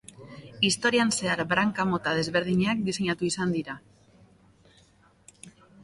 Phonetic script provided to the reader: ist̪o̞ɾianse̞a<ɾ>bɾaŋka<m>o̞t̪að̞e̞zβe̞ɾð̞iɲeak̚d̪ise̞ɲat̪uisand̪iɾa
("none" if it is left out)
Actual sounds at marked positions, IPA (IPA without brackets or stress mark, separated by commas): ɾ, m